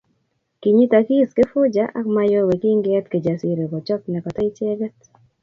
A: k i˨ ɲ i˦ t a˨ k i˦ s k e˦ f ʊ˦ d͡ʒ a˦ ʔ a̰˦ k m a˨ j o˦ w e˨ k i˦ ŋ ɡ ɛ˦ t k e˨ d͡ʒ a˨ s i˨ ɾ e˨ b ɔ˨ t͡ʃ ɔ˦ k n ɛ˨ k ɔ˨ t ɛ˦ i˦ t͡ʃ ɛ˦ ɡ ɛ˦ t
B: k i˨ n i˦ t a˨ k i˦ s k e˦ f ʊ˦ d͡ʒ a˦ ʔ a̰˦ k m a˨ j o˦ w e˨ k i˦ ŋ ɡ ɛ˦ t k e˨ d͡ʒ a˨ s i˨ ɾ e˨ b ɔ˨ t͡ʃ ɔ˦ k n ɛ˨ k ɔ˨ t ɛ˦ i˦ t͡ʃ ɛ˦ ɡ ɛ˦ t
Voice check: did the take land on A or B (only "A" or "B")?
A